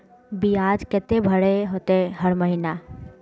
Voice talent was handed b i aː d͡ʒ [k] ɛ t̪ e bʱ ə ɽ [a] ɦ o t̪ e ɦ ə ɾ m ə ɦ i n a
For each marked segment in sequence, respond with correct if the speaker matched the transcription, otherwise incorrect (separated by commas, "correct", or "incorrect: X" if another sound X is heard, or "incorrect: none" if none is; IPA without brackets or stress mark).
correct, incorrect: e